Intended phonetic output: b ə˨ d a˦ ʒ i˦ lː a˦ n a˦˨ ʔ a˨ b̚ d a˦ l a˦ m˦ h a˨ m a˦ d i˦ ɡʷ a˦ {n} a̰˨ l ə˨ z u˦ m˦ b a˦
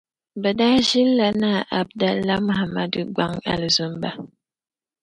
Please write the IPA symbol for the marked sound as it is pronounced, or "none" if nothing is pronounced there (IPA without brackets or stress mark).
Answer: ŋ